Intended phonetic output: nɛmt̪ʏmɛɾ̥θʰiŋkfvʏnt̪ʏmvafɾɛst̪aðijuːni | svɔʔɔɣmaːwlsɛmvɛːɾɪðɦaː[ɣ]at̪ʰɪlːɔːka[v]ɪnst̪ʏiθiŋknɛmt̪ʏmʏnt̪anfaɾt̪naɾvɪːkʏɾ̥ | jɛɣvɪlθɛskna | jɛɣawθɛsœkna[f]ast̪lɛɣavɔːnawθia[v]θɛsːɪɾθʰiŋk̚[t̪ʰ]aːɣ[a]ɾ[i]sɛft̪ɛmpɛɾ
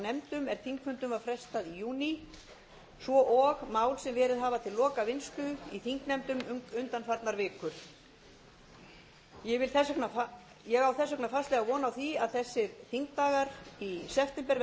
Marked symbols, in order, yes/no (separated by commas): no, yes, yes, no, no, yes, yes